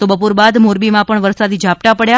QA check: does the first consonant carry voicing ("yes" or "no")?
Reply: no